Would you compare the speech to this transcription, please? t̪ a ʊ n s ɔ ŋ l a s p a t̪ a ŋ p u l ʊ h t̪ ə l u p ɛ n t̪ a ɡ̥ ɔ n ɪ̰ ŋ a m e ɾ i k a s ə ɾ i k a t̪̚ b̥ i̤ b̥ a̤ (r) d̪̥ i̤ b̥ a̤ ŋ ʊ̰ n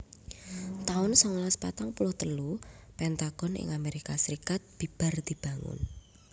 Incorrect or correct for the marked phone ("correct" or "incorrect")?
correct